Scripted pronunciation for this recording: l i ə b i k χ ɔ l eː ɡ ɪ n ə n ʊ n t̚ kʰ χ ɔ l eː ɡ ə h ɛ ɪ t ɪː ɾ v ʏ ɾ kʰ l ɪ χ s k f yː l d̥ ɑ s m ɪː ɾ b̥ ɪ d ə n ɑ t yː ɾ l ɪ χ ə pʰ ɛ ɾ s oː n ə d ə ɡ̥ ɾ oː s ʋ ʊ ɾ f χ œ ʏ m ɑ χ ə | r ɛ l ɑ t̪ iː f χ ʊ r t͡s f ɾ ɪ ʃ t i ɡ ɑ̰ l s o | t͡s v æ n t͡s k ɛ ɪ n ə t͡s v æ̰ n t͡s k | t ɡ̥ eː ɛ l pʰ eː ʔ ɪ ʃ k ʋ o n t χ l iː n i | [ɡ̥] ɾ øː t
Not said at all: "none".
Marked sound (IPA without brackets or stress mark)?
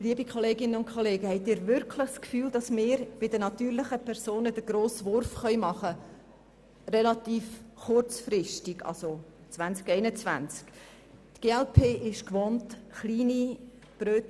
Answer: b̥